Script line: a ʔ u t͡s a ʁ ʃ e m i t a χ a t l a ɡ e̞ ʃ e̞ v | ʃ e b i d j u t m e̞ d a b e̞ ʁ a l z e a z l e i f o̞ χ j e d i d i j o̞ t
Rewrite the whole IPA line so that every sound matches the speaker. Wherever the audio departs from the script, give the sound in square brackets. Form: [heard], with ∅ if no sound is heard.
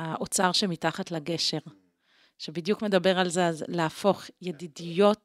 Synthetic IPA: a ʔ [o] t͡s a ʁ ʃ e m i t a χ a t l a ɡ e̞ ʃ e̞ [ʁ] | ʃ e b i d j u [k] m e̞ d a b e̞ ʁ a l z e a z l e [a] f o̞ χ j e d i d i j o̞ t